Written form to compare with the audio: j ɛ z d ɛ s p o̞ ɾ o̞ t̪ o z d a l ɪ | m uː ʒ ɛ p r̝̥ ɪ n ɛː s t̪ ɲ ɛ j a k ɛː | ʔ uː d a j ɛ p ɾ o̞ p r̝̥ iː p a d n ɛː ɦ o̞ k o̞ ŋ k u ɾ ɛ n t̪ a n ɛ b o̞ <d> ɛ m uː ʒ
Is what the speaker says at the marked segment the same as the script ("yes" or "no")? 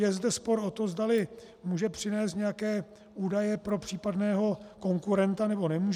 no